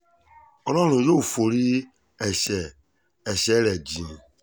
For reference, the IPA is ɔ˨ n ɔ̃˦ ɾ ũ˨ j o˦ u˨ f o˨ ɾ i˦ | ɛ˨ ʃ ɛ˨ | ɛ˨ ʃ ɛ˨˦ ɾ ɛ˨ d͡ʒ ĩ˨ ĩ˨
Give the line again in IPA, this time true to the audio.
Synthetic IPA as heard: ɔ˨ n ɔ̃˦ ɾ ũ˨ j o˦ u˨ f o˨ ɾ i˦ | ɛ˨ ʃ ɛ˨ | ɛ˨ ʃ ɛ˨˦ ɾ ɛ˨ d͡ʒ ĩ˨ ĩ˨